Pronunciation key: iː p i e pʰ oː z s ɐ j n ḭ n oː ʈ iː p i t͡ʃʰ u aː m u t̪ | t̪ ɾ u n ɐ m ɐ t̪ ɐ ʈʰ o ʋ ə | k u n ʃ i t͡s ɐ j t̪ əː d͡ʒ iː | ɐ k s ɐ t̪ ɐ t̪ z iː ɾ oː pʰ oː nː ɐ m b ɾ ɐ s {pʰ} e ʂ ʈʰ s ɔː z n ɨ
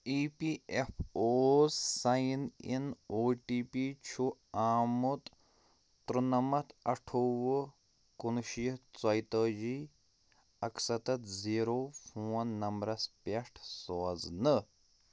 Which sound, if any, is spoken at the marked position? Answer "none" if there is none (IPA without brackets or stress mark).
p